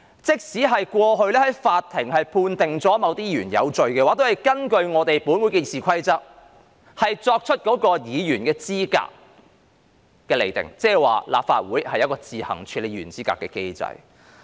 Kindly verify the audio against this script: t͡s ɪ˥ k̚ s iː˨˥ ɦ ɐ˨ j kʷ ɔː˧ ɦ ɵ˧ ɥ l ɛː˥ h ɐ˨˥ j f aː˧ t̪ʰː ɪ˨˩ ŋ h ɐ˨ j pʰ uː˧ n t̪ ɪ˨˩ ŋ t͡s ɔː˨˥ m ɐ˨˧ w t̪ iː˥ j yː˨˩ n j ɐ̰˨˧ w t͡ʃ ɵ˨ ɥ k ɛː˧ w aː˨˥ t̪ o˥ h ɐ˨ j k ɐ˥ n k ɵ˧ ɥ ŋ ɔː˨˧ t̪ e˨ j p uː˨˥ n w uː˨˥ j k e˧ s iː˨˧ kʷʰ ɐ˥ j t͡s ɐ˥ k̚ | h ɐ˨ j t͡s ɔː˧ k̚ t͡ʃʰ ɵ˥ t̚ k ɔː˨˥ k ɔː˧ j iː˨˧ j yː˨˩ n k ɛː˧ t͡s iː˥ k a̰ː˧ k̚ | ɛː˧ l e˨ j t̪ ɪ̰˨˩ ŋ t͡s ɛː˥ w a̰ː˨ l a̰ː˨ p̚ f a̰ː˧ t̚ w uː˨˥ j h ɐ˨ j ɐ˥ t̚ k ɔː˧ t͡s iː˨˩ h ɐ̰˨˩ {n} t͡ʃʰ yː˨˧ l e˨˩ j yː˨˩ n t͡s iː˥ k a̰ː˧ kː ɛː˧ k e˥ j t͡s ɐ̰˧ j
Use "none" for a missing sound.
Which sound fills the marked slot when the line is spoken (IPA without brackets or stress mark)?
ŋ